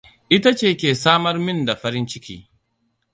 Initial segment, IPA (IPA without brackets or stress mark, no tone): ʔ